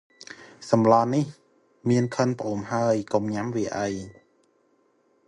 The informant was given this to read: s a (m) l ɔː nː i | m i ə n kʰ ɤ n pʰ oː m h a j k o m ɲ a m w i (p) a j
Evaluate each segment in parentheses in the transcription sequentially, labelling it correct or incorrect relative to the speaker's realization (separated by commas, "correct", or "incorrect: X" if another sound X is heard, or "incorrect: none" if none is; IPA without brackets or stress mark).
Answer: correct, incorrect: ʔ